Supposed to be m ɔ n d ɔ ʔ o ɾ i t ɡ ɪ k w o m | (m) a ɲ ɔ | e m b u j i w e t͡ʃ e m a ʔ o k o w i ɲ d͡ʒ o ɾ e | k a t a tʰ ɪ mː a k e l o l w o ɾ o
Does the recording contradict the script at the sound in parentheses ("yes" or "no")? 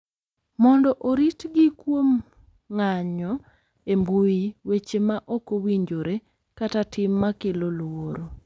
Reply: yes